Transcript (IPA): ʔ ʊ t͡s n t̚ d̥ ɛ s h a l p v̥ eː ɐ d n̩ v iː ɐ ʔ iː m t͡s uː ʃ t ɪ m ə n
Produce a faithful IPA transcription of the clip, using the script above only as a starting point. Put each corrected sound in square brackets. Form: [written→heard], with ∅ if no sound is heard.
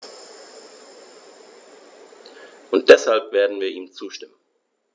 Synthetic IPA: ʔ ʊ [t͡s→∅] n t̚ d̥ ɛ s h a l p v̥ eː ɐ d n̩ v iː ɐ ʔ iː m t͡s uː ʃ t ɪ m ə n